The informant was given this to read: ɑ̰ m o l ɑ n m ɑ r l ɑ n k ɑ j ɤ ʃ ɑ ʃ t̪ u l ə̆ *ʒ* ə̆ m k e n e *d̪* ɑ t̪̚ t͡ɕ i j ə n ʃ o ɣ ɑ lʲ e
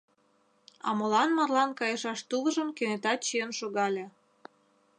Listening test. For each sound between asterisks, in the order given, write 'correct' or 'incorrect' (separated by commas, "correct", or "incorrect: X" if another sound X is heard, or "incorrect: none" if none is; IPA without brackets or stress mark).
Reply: correct, incorrect: t̪